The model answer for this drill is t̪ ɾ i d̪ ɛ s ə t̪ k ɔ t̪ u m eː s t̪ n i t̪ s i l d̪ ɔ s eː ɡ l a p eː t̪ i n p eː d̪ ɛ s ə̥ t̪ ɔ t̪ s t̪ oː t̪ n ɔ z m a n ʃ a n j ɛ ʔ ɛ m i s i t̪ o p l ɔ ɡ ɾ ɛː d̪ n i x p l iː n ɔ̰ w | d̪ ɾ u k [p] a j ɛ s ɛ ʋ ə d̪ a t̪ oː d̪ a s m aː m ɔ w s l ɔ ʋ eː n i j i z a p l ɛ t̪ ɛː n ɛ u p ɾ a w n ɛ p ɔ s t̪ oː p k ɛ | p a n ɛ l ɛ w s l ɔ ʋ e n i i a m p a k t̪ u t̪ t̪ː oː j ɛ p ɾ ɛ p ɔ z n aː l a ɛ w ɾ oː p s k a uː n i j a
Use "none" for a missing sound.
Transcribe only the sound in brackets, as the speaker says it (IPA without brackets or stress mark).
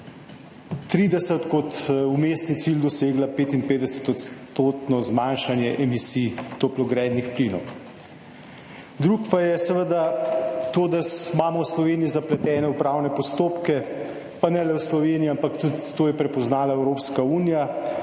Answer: p